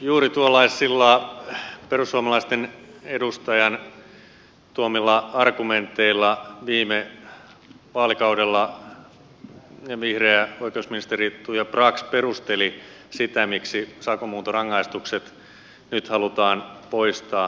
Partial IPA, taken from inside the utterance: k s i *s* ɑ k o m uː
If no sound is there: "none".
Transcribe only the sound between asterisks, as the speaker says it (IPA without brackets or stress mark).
s